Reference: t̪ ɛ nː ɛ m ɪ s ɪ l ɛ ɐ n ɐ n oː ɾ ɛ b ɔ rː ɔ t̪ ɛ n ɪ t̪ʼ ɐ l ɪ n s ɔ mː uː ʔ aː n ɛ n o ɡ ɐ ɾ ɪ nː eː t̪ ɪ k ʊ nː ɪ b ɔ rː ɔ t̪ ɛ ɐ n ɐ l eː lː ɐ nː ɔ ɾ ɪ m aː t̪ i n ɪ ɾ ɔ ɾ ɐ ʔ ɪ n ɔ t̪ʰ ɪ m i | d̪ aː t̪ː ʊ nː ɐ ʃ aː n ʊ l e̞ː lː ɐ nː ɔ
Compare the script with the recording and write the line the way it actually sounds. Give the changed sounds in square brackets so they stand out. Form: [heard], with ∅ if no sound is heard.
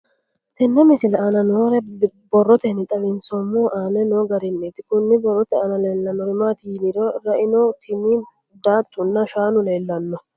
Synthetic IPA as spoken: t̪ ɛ nː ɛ m ɪ s ɪ l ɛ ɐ n ɐ n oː ɾ ɛ b ɔ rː ɔ t̪ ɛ n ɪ t̪ʼ ɐ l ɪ n s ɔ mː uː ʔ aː n ɛ n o ɡ ɐ ɾ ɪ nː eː t̪ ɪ k ʊ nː ɪ b ɔ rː ɔ t̪ ɛ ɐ n ɐ l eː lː ɐ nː ɔ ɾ ɪ m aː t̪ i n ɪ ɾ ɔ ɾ ɐ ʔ ɪ n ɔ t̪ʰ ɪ m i | d̪ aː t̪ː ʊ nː ɐ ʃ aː n ʊ l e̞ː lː ɐ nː ɔ